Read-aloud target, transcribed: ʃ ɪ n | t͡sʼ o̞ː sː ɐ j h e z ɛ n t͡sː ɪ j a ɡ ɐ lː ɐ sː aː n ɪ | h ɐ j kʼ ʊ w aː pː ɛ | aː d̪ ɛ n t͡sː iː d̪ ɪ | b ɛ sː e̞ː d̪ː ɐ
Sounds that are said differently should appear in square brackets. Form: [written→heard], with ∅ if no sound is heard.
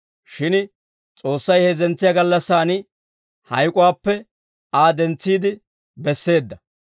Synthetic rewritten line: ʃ ɪ n | t͡sʼ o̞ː sː ɐ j h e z ɛ n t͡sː ɪ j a ɡ ɐ lː ɐ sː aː n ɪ | h ɐ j kʼ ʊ w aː pː ɛ | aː d̪ ɛ n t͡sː iː d̪ ɪ | b ɛ sː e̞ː d̪ː ɐ

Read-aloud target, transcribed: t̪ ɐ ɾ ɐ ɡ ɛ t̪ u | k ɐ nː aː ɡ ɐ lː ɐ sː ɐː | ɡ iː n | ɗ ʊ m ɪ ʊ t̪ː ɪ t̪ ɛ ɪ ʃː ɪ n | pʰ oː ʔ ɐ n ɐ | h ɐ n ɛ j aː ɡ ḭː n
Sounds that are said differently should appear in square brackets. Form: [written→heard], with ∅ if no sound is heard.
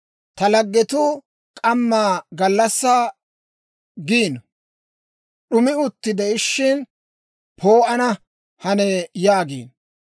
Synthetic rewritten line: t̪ ɐ [ɾ→l] ɐ [ɡ→ɡː] ɛ t̪ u | [k→kʼ] ɐ [nː→mː] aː ɡ ɐ lː ɐ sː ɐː | ɡ iː n | ɗ ʊ m ɪ ʊ t̪ː ɪ [t̪→d̪] ɛ ɪ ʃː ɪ n | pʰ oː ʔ ɐ n ɐ | h ɐ n ɛ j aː ɡ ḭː n

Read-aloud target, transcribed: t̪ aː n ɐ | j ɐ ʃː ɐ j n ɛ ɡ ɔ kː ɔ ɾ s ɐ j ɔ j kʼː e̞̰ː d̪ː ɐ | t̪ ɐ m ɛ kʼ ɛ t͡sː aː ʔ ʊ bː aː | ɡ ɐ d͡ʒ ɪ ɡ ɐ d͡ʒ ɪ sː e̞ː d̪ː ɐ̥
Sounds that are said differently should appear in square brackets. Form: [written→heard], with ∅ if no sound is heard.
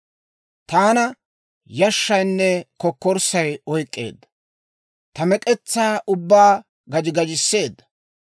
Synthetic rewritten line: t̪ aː n ɐ | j ɐ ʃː ɐ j [n→nː] ɛ [ɡ→k] ɔ kː ɔ ɾ s ɐ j ɔ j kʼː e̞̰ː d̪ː ɐ | t̪ ɐ m ɛ kʼ ɛ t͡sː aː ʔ ʊ bː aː | ɡ ɐ d͡ʒ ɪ ɡ ɐ d͡ʒ ɪ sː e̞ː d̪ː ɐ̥

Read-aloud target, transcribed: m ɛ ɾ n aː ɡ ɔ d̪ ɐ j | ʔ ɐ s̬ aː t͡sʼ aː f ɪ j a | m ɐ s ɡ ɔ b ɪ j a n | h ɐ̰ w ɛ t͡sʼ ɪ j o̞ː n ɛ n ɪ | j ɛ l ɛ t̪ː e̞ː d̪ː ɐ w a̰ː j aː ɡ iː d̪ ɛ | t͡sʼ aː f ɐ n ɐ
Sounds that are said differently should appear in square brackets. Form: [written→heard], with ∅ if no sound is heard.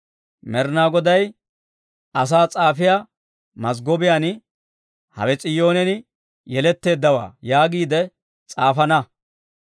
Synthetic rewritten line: m ɛ ɾ n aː ɡ ɔ d̪ ɐ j | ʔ ɐ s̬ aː t͡sʼ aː f ɪ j a | m ɐ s ɡ ɔ b ɪ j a n | h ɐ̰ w ɛ t͡sʼ ɪ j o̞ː n ɛ n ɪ | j ɛ l ɛ t̪ː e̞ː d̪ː ɐ w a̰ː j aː ɡ iː d̪ ɛ | t͡sʼ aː f ɐ n ɐ

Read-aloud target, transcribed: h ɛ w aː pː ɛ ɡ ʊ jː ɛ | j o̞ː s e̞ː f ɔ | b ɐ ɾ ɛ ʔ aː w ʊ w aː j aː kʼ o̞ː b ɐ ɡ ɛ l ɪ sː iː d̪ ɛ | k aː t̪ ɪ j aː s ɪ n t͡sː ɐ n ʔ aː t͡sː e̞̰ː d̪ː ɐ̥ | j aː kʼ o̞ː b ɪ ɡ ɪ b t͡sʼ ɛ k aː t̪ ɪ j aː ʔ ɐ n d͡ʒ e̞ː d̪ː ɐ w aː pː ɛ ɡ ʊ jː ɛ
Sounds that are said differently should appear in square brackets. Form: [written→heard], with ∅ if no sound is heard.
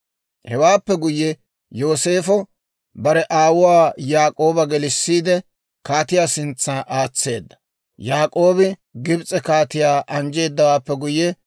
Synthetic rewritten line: h ɛ w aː pː ɛ ɡ ʊ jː ɛ | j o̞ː s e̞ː f ɔ | b ɐ ɾ ɛ ʔ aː w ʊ w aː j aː kʼ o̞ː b ɐ ɡ ɛ l ɪ sː iː d̪ ɛ | k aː t̪ ɪ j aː s ɪ n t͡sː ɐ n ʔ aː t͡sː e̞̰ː d̪ː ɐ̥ | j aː kʼ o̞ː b ɪ ɡ ɪ b t͡sʼ ɛ k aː t̪ ɪ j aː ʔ ɐ n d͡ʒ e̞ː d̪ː ɐ w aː pː ɛ ɡ ʊ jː ɛ

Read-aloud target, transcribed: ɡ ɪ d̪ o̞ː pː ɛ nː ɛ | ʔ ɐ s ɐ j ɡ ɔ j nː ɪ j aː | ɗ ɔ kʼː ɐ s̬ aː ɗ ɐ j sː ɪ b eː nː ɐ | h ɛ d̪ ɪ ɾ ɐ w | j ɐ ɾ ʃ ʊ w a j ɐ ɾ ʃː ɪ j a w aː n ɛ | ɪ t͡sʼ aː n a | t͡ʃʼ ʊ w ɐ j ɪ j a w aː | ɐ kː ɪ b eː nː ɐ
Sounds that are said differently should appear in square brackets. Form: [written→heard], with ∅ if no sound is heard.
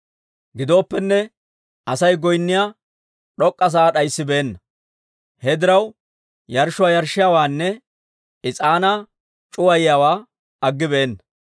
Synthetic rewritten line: ɡ ɪ d̪ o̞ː pː ɛ nː ɛ | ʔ ɐ s ɐ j ɡ ɔ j nː ɪ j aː | ɗ ɔ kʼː ɐ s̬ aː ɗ ɐ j sː ɪ b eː nː ɐ | h ɛ d̪ ɪ ɾ ɐ w | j ɐ ɾ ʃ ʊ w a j ɐ ɾ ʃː ɪ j a w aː [n→nː] ɛ | ɪ t͡sʼ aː n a | t͡ʃʼ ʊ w ɐ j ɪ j a w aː | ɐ [kː→ɡː] ɪ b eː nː ɐ

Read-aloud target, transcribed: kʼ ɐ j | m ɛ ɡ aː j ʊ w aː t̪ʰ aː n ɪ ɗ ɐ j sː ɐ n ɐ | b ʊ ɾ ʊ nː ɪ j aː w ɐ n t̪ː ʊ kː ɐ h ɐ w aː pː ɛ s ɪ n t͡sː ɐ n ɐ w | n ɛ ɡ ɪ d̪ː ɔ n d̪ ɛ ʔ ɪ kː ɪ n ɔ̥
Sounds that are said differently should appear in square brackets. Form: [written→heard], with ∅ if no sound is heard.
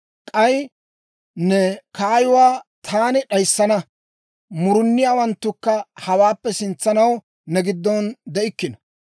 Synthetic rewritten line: kʼ ɐ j | [m→n] ɛ [ɡ→k] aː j ʊ w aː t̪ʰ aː n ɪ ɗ ɐ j sː ɐ n ɐ | [b→m] ʊ ɾ ʊ nː ɪ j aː w ɐ n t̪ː ʊ kː ɐ h ɐ w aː pː ɛ s ɪ n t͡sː ɐ n ɐ w | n ɛ ɡ ɪ d̪ː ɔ n d̪ ɛ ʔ ɪ kː ɪ n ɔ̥

